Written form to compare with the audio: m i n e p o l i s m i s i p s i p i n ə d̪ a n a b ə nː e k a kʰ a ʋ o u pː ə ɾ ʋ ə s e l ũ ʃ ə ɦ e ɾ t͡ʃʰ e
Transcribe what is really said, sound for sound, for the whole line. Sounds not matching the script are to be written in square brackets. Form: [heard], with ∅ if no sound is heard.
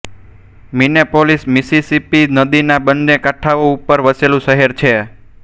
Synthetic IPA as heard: m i n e p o l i s m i s i [∅] s i p i n ə d̪ [i] n a b ə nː e k a [ʈʰ] a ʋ o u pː ə ɾ ʋ ə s e l ũ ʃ ə ɦ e ɾ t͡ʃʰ e